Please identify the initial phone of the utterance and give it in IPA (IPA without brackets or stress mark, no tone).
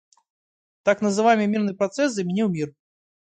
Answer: t̪